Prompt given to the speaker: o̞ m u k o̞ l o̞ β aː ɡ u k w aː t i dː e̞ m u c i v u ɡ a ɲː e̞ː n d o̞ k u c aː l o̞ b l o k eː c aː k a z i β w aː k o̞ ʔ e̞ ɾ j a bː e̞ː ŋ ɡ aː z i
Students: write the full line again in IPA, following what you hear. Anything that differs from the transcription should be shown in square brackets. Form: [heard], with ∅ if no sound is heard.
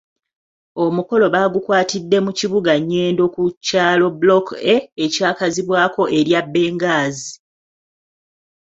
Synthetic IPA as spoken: o̞ m u k o̞ l o̞ β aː ɡ u k w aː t i dː e̞ m u c i [β] u ɡ a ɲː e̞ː n d o̞ k u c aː l o̞ b l o k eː c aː k a z i β w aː k o̞ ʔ e̞ ɾ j a bː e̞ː ŋ ɡ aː z i